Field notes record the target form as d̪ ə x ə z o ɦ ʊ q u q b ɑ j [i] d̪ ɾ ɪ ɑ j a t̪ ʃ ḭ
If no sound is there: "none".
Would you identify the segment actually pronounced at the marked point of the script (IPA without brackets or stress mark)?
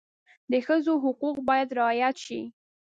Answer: a